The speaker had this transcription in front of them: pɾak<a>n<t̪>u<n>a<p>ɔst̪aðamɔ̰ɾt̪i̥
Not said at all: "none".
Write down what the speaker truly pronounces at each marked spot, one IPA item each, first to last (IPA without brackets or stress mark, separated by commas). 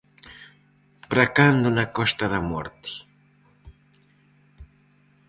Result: a, d̪, n, k